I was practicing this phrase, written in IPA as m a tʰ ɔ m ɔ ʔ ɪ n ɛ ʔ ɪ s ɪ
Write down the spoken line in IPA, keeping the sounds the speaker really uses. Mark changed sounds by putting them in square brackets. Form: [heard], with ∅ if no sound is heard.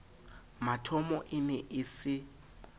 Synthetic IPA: m a tʰ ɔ m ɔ ʔ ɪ n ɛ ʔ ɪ s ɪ